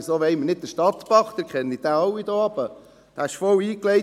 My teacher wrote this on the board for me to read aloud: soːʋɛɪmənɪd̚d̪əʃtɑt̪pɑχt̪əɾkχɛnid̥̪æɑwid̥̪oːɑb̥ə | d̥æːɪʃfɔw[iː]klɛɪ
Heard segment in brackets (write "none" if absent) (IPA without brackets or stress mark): iː